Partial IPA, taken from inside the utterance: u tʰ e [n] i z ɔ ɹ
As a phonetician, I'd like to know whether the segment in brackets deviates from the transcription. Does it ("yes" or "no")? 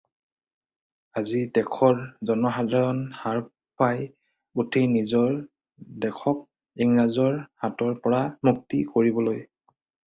no